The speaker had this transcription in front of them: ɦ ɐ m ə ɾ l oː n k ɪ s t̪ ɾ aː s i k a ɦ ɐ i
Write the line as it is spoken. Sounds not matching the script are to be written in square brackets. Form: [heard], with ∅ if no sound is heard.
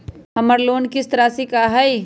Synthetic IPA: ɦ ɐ m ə ɾ l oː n k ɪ s t̪ ɾ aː s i k a ɦ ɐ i